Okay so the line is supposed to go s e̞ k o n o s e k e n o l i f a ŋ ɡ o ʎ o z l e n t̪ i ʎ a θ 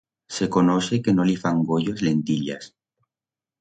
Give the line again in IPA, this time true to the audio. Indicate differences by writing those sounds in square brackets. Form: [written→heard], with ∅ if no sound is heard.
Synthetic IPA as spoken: s e̞ k o n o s e k e n o l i f a ŋ ɡ o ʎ o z l e n t̪ i ʎ a [θ→s]